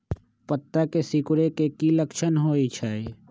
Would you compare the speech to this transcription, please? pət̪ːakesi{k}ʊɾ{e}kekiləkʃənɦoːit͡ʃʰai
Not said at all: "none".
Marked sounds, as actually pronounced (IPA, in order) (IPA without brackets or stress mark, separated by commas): k, e